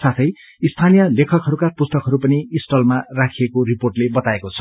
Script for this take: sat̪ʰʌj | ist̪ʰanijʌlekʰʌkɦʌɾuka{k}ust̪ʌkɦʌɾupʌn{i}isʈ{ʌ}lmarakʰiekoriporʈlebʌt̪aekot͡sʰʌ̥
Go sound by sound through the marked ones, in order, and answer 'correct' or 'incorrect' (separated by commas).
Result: incorrect, correct, correct